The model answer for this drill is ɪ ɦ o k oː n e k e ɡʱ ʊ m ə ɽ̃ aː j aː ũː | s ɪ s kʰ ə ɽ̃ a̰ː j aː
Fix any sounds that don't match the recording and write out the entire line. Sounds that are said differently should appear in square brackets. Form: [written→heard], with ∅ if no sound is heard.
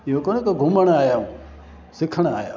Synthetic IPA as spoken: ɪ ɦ o k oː n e k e ɡʱ ʊ m ə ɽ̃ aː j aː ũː | s ɪ [s→∅] kʰ ə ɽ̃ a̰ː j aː